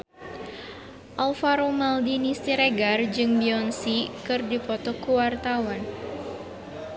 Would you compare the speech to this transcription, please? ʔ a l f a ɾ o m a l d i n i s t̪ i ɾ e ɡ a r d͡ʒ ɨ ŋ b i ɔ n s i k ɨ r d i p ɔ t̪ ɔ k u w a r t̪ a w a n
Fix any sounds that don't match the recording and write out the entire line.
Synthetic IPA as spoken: ʔ a l f a ɾ o m a l d i n i s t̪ i ɾ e ɡ a r d͡ʒ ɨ ŋ b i ɔ n s i k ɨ r d i p ɔ t̪ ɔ k u w a r t̪ a w a n